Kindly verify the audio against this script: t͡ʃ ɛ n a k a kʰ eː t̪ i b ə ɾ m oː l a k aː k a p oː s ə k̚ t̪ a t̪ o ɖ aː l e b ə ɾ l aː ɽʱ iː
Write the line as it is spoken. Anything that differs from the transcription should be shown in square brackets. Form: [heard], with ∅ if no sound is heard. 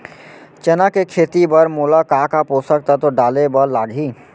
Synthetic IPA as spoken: t͡ʃ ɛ n a k [e] kʰ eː t̪ i b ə ɾ m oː l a k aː k a p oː s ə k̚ t̪ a t̪ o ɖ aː l e b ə ɾ l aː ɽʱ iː